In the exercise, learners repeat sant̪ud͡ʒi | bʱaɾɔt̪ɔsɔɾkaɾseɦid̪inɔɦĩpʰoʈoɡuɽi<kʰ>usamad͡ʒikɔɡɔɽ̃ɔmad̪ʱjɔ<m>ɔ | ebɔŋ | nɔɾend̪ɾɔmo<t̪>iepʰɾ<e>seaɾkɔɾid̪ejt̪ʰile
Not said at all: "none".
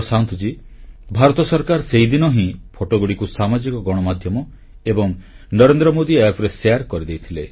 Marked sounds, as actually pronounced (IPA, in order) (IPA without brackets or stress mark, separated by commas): k, m, d̪, e